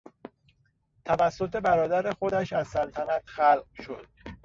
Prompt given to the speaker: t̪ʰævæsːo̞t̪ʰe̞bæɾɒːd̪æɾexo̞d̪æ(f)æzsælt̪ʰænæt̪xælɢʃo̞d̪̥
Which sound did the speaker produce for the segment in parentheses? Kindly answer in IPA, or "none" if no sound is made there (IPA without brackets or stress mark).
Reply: ʃ